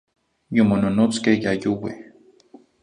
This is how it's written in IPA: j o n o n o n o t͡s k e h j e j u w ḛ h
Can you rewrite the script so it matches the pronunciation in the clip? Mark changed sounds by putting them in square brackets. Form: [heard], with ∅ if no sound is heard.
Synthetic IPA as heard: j o [m] o n o n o t͡s k e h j [a] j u w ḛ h